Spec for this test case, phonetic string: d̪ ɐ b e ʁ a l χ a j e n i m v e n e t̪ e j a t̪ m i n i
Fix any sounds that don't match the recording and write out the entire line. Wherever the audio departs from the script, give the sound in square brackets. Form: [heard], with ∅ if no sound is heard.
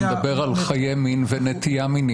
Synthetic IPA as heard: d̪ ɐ b e ʁ a l χ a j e [m] i [n] v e n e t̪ [i] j a [∅] m i n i